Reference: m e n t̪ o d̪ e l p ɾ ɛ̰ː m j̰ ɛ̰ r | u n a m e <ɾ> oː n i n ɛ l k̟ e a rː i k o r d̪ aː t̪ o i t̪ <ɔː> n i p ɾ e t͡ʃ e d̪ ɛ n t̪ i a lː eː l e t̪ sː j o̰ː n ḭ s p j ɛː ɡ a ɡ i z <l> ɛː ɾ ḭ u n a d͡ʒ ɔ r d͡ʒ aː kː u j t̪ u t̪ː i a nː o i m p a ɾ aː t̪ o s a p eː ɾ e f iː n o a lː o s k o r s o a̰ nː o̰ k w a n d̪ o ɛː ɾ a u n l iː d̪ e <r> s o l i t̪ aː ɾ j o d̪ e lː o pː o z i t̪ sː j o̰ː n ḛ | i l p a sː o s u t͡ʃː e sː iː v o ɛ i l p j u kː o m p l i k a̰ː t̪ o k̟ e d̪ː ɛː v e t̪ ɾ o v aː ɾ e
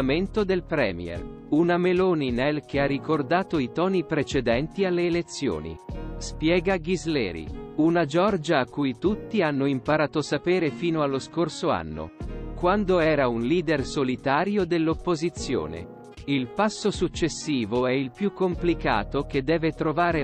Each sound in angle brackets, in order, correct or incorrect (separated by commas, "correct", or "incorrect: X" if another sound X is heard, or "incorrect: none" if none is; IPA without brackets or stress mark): incorrect: l, correct, correct, correct